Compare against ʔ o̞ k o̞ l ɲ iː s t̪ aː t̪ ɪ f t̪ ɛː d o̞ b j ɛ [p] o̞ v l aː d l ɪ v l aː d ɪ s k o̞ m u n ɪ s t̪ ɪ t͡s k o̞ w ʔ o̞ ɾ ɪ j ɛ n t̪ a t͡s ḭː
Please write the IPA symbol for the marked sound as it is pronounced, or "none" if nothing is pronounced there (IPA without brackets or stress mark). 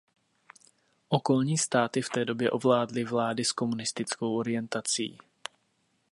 ʔ